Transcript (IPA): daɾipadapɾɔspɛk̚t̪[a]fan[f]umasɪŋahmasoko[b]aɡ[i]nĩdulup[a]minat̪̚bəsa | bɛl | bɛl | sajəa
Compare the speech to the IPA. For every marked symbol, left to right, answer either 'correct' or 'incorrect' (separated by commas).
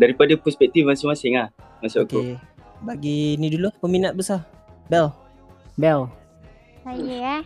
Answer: incorrect, incorrect, correct, correct, incorrect